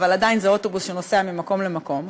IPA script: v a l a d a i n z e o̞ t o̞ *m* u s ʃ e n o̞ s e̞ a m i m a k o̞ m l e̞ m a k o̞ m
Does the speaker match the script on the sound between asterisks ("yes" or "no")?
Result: no